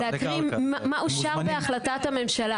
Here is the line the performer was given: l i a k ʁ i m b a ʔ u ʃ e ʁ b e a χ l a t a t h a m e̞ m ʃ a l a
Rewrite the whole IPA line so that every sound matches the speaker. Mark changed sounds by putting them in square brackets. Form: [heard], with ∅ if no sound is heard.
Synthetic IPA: l [e] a k ʁ i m [m] a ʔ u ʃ [a] ʁ b e a χ l a t a t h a m e̞ m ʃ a l a